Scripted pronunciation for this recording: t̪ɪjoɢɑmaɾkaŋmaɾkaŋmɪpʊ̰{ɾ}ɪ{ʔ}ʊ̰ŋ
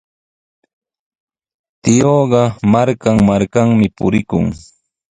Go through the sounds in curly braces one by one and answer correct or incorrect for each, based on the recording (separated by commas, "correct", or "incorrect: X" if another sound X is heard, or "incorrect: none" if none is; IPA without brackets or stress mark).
correct, incorrect: k